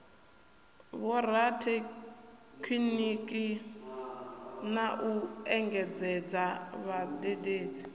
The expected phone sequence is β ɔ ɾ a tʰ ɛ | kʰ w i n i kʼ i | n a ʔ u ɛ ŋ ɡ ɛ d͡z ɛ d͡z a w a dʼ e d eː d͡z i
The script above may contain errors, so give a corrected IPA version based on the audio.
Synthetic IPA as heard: β ɔ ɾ a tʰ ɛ | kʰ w i n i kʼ i | n a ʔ u ɛ ŋ ɡ ɛ d͡z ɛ d͡z a β a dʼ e d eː d͡z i

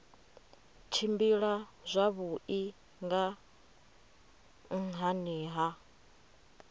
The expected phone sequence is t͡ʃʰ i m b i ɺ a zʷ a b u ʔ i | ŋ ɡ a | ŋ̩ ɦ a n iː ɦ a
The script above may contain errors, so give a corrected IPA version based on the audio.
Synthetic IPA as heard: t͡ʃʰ i m b i ɺ a zʷ a β u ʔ i | ŋ ɡ a | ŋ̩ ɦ a n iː ɦ a

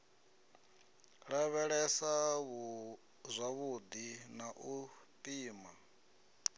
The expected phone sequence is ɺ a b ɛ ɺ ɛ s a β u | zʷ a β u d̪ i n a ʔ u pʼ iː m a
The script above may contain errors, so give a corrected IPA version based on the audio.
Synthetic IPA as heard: ɺ a β ɛ ɺ ɛ s a β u | zʷ a β u d̪ i n a ʔ u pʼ iː m a

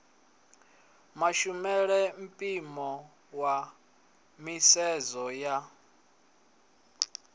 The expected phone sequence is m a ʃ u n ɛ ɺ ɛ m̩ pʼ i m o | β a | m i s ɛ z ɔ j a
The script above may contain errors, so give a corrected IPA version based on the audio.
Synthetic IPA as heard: m a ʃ u m ɛ ɺ ɛ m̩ pʼ i m ɔ | w a | m i s ɛ z ɔ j a

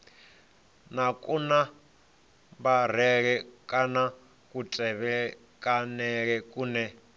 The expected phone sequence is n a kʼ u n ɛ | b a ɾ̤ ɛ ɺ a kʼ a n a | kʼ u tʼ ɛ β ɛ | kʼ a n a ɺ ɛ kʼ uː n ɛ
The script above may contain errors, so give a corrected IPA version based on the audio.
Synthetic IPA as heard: n a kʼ u n a | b a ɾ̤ ɛ ɺ ɛ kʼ a n a | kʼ u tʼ ɛ β ɛ | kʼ a n ɛ ɺ ɛ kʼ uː n ɛ

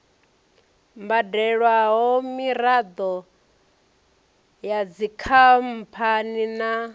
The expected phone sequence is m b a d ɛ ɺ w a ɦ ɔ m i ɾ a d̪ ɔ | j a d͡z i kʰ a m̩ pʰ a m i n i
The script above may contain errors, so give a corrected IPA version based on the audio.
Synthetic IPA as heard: m b a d ɛ ɺ w a ɦ ɔ m i ɾ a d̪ ɔ | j a d͡z i kʰ a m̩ pʰ a n i n a

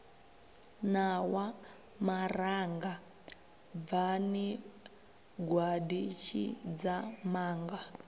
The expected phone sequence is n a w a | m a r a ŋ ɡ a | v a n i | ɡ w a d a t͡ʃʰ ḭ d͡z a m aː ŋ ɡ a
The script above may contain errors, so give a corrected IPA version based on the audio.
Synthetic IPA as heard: n a w a | m a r a ŋ ɡ a | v a n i | ɡ w a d i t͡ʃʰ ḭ d͡z a m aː ŋ ɡ a

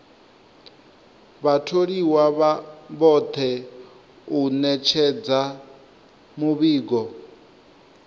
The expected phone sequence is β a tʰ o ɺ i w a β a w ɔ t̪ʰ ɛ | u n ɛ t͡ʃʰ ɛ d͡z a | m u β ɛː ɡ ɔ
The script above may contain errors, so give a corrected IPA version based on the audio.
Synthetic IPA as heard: β a tʰ o ɺ i w a β a β ɔ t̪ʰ ɛ | u n ɛ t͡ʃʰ ɛ d͡z a | m u β iː ɡ ɔ

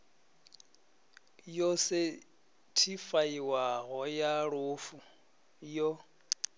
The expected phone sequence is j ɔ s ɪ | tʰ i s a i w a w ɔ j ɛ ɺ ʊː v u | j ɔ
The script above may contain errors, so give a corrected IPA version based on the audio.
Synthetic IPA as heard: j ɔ s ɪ | tʰ i f a i w a ɣ ɔ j a ɺ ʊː f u | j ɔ

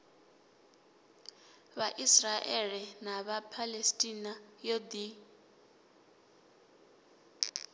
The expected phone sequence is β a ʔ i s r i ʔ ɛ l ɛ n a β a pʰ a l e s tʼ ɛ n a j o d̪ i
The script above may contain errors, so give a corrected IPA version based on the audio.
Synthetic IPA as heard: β a ʔ i s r a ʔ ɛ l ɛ n a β a pʰ a l e s tʼ i n a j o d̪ i

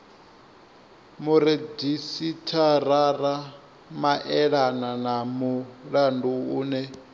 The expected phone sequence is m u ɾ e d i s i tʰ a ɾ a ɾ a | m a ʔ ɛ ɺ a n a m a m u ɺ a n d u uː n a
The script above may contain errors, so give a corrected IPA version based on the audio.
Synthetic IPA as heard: m u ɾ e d i s i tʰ a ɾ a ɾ a | m a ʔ ɛ ɺ a n a n a m u ɺ a n d u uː n ɛ

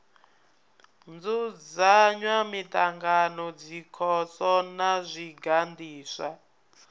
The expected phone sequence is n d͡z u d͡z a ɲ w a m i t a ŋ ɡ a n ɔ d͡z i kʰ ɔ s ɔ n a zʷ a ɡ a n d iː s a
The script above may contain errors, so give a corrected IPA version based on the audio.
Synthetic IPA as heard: n d͡z u d͡z a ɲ w a m i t a ŋ ɡ a n ɔ d͡z i kʰ ɔ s ɔ n a zʷ i ɡ a n d iː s a

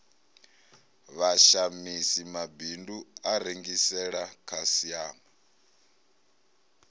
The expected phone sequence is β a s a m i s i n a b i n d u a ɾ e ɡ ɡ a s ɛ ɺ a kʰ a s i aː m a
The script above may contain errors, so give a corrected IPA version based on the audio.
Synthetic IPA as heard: β a ʃ a m i s i m a b i n d u a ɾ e ŋ ɡ i s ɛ ɺ a kʰ a s i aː m a

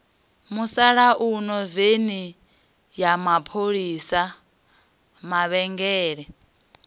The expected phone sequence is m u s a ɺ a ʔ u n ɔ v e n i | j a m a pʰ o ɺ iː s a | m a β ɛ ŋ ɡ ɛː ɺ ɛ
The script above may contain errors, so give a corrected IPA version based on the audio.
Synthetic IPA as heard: m u s a ɺ a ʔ u n ɔ v e n i | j a m a pʰ o ɺ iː s a | m a β ɛ ŋ ɡ ɛː ɺ ɛ

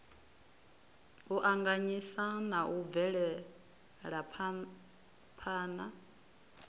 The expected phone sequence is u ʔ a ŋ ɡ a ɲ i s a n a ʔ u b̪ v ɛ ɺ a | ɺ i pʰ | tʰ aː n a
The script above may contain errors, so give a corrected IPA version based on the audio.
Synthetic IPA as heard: u ʔ a ŋ ɡ a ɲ i s a n a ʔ u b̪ v ɛ ɺ ɛ | ɺ a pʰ | pʰ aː n a

